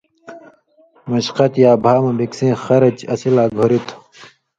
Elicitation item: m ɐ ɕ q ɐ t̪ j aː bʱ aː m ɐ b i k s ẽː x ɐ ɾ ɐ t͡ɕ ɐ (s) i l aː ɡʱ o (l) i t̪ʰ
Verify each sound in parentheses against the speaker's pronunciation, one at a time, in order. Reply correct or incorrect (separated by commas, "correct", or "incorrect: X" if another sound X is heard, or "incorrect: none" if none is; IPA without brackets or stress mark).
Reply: correct, incorrect: ɾ